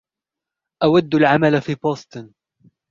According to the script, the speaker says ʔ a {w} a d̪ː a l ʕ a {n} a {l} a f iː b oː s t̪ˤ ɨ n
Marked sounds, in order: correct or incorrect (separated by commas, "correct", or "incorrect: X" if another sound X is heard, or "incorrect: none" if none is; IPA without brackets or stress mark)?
correct, incorrect: m, correct